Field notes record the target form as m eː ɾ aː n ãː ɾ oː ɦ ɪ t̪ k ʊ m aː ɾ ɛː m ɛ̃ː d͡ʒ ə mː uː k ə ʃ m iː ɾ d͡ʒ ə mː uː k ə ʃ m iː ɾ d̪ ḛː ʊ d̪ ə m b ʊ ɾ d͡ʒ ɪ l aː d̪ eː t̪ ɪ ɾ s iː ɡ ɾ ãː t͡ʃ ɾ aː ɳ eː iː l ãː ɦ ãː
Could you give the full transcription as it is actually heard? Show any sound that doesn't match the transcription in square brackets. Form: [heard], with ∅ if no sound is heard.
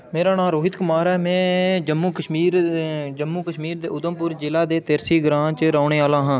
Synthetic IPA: m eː ɾ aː n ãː ɾ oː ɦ ɪ t̪ k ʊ m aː ɾ ɛː m ɛ̃ː d͡ʒ ə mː uː k ə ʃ m iː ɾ d͡ʒ ə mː uː k ə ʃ m iː ɾ d̪ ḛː ʊ d̪ ə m [p] ʊ ɾ d͡ʒ ɪ l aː d̪ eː t̪ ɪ ɾ s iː ɡ ɾ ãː t͡ʃ ɾ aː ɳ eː [aː] l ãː ɦ ãː